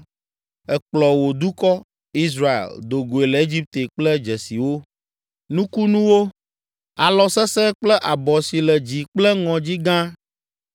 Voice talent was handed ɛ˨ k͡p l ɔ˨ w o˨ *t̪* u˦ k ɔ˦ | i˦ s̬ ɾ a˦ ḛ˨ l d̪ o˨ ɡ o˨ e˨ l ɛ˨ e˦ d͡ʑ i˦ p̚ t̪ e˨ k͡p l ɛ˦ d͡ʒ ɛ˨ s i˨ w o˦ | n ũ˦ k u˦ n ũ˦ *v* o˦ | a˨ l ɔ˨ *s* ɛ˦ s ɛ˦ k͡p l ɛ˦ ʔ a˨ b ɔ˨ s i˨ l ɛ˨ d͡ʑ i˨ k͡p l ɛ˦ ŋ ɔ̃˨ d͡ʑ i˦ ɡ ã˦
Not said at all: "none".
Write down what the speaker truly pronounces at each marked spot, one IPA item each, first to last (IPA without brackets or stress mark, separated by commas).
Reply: d̪, w, s